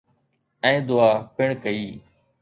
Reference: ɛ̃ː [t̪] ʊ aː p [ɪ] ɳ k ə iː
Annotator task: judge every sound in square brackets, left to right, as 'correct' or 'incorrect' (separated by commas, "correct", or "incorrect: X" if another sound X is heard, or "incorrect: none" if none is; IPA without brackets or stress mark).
incorrect: d̪, correct